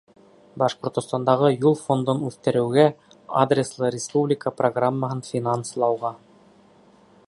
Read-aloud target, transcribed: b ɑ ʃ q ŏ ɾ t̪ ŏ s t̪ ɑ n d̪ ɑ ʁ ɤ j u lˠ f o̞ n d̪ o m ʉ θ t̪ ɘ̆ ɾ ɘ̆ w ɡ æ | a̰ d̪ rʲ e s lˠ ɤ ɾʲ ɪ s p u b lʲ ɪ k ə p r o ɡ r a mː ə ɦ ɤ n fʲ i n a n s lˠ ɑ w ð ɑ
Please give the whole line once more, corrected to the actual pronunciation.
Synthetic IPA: b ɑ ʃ q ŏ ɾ t̪ ŏ s t̪ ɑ n d̪ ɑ ʁ ɤ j u lˠ f o̞ n d̪ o n ʉ θ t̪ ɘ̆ ɾ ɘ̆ w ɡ æ | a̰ d̪ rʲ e s lˠ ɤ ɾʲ ɪ s p u b lʲ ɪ k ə p r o ɡ r a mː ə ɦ ɤ n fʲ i n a n s lˠ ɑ w ʁ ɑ